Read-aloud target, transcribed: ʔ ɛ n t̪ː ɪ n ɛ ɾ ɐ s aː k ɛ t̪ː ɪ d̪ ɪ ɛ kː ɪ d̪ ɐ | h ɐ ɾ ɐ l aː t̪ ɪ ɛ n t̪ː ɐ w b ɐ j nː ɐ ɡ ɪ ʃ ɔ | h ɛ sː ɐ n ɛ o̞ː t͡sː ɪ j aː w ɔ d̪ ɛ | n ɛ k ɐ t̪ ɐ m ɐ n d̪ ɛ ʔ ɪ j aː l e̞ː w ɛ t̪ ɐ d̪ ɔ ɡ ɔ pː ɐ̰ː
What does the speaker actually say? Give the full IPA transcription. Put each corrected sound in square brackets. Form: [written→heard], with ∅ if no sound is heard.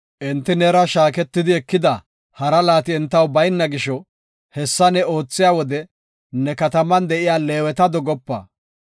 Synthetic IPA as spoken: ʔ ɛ n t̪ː ɪ n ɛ ɾ ɐ [s→ʃ] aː k ɛ t̪ː ɪ d̪ ɪ ɛ kː ɪ d̪ ɐ | h ɐ ɾ ɐ l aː t̪ ɪ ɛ n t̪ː ɐ w b ɐ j nː ɐ ɡ ɪ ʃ ɔ | h ɛ sː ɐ n ɛ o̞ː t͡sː ɪ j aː w ɔ d̪ ɛ | n ɛ k ɐ t̪ ɐ m ɐ n d̪ ɛ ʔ ɪ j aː l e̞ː w ɛ t̪ ɐ d̪ ɔ ɡ ɔ pː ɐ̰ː

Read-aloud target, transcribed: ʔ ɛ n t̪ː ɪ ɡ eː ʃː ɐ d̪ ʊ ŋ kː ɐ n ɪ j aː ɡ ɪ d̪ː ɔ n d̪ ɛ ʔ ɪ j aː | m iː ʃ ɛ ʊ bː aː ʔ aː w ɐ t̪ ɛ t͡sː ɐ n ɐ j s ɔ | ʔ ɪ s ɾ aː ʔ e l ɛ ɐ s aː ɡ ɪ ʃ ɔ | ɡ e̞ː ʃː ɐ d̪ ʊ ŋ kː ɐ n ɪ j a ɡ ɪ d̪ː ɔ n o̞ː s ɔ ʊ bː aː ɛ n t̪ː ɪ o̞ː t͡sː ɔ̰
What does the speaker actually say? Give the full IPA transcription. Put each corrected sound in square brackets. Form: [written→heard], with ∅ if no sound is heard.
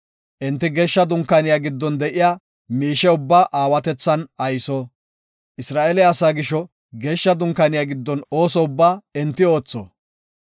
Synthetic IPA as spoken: ʔ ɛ n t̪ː ɪ ɡ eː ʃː ɐ d̪ ʊ ŋ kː ɐ n ɪ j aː ɡ ɪ d̪ː ɔ n d̪ ɛ ʔ ɪ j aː | m iː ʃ ɛ ʊ bː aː ʔ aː w ɐ t̪ ɛ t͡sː ɐ n ɐ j s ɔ | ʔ ɪ s ɾ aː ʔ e l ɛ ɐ s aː ɡ ɪ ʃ ɔ | ɡ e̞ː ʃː ɐ d̪ ʊ ŋ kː ɐ n ɪ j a ɡ ɪ d̪ː ɔ n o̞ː s ɔ ʊ bː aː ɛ n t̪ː ɪ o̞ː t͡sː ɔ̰

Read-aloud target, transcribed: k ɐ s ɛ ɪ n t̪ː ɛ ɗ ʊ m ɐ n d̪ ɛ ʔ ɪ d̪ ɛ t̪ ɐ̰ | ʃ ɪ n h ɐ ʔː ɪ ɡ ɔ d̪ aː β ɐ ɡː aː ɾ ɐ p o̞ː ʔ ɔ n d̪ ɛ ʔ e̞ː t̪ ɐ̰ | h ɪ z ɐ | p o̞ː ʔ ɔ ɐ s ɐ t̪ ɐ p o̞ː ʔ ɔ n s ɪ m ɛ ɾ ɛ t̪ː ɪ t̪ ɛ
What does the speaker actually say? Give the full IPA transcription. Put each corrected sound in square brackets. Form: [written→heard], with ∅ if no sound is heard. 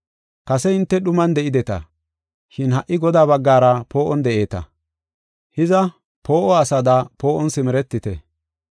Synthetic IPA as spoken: k ɐ s ɛ ɪ n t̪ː ɛ ɗ ʊ m ɐ n d̪ ɛ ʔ ɪ d̪ ɛ t̪ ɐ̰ | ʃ ɪ n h ɐ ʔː ɪ ɡ ɔ d̪ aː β ɐ ɡː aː ɾ ɐ p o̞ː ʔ ɔ n d̪ ɛ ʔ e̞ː t̪ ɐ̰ | h ɪ z ɐ | p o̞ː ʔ ɔ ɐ s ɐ [t̪→d̪] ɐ p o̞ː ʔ ɔ n s ɪ m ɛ ɾ ɛ t̪ː ɪ t̪ ɛ

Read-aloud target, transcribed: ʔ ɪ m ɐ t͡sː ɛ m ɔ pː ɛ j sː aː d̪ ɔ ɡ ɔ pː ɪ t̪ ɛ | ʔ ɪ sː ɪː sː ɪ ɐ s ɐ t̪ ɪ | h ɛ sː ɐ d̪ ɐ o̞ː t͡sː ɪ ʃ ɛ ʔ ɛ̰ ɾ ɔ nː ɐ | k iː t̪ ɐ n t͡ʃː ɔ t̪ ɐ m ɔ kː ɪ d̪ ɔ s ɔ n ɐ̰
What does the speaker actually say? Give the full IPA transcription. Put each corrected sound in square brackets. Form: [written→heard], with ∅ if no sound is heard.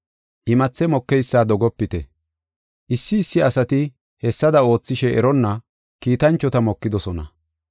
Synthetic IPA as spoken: ʔ ɪ m ɐ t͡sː ɛ m ɔ [pː→kː] ɛ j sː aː d̪ ɔ ɡ ɔ pː ɪ t̪ ɛ | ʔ ɪ sː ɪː sː ɪ ɐ s ɐ t̪ ɪ | h ɛ sː ɐ d̪ ɐ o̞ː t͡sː ɪ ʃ ɛ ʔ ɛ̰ ɾ ɔ nː ɐ | k iː t̪ ɐ n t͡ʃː ɔ t̪ ɐ m ɔ kː ɪ d̪ ɔ s ɔ n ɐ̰

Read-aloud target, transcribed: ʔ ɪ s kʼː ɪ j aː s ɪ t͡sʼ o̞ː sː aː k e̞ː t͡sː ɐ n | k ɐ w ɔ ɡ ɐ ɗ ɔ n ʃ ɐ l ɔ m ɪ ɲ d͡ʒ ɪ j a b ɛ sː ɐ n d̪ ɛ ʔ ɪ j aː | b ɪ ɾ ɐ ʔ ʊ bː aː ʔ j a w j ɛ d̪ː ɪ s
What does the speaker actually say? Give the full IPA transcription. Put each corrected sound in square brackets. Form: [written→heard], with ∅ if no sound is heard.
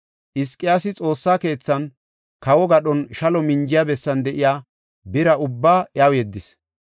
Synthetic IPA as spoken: ʔ ɪ s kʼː ɪ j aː s ɪ t͡sʼ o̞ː sː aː k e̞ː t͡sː ɐ n | k ɐ w ɔ ɡ ɐ ɗ ɔ n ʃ ɐ l ɔ m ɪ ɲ d͡ʒ ɪ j a b ɛ sː ɐ n d̪ ɛ ʔ ɪ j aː | b ɪ ɾ ɐ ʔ ʊ bː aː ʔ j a w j ɛ d̪ː ɪ s

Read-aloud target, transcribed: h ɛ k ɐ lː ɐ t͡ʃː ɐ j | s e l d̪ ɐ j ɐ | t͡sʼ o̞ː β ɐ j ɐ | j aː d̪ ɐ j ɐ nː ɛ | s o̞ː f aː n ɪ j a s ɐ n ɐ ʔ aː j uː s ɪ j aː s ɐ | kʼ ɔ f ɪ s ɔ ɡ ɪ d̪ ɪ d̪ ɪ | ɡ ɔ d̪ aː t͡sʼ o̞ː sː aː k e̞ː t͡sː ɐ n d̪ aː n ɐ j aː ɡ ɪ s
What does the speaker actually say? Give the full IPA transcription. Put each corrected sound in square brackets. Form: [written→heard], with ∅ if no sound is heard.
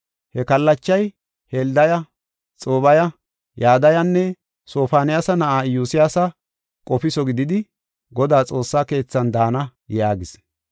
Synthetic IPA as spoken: h ɛ k ɐ lː ɐ t͡ʃː ɐ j | [s→h] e l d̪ ɐ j ɐ | t͡sʼ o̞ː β ɐ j ɐ | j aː d̪ ɐ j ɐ nː ɛ | s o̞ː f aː n ɪ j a s ɐ n ɐ ʔ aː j uː s ɪ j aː s ɐ | kʼ ɔ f ɪ s ɔ ɡ ɪ d̪ ɪ d̪ ɪ | ɡ ɔ d̪ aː t͡sʼ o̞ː sː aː k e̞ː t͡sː ɐ n d̪ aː n ɐ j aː ɡ ɪ s

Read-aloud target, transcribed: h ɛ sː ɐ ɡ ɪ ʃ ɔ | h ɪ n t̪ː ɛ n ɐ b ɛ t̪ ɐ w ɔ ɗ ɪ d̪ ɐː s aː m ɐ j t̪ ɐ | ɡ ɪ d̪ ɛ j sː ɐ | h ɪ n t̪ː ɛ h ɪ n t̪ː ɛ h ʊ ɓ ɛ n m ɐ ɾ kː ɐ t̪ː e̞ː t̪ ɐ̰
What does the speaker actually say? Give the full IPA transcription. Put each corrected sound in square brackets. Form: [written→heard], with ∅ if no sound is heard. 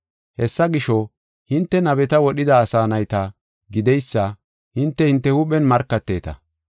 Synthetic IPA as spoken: h ɛ sː ɐ ɡ ɪ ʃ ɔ | h ɪ n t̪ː ɛ n ɐ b ɛ t̪ ɐ w ɔ ɗ ɪ d̪ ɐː s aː [m→n] ɐ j t̪ ɐ | ɡ ɪ d̪ ɛ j sː ɐ | h ɪ n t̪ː ɛ h ɪ n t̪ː ɛ h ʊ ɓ ɛ n m ɐ ɾ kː ɐ t̪ː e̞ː t̪ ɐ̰

